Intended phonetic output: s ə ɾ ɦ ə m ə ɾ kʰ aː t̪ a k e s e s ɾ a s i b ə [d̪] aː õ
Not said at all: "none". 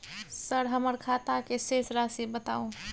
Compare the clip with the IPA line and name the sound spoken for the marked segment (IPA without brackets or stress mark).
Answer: t̪